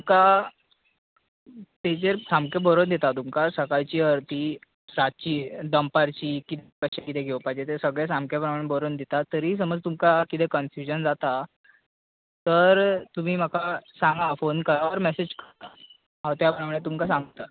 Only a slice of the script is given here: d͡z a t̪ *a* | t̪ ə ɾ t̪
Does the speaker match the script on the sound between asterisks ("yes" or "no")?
yes